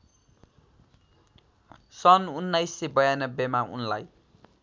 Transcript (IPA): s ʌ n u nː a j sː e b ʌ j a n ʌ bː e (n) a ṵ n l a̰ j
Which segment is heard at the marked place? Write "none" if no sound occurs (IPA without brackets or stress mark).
m